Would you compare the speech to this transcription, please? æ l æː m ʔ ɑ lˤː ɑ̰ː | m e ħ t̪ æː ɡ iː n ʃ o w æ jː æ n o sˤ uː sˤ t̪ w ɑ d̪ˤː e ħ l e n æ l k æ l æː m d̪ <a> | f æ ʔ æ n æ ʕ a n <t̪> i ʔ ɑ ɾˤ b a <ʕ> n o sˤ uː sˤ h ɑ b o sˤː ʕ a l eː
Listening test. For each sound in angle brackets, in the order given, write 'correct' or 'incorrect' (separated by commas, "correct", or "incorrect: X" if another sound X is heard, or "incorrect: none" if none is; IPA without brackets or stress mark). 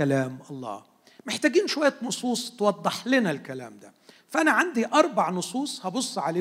incorrect: æ, incorrect: d̪, correct